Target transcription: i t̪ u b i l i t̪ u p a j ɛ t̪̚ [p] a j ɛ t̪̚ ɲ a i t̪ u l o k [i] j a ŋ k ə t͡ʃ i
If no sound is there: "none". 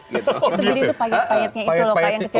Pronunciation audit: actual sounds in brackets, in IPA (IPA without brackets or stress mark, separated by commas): p, a